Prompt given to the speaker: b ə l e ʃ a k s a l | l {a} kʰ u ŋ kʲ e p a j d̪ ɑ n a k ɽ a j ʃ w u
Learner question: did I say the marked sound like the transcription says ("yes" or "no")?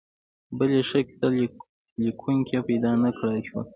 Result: no